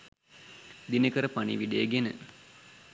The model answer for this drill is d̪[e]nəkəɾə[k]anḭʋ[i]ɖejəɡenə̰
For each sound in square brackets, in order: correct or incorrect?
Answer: incorrect: i, incorrect: p, correct

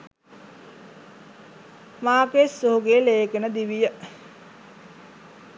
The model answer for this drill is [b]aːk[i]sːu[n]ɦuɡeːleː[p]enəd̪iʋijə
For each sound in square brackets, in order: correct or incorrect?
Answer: incorrect: m, incorrect: e, incorrect: none, incorrect: k

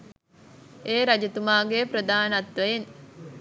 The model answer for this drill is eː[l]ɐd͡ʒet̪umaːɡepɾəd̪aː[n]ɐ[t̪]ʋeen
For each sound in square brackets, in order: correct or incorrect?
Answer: incorrect: ɾ, correct, correct

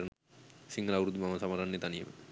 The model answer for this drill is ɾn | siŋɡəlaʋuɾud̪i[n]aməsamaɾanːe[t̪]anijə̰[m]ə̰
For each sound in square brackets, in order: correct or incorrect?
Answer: incorrect: m, correct, correct

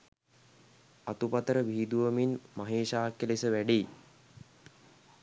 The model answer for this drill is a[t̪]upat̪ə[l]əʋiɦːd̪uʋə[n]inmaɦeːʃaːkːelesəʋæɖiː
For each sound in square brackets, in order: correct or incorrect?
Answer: correct, incorrect: ɾ, incorrect: m

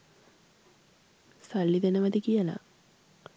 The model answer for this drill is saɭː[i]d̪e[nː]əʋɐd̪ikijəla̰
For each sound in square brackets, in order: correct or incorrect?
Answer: correct, incorrect: n

